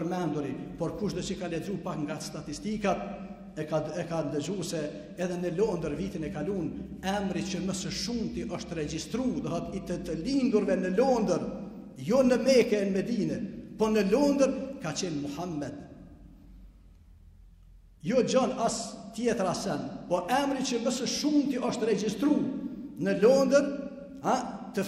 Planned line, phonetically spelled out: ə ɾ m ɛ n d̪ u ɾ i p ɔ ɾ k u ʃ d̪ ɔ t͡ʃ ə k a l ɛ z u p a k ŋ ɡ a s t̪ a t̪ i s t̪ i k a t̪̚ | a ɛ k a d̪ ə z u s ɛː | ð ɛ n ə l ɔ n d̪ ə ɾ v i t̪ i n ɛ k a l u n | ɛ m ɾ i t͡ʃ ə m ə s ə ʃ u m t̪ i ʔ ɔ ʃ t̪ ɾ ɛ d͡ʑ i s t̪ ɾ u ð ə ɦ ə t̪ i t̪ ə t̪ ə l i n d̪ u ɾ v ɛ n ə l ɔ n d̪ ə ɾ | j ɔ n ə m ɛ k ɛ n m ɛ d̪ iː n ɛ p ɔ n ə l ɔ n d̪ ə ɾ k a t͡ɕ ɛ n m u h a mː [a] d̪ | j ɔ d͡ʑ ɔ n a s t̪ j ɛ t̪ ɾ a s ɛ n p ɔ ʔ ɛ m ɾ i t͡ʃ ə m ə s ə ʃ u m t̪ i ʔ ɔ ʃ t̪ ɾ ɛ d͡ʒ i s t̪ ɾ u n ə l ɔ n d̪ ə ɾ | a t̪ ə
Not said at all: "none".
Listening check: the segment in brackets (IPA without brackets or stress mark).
ɛ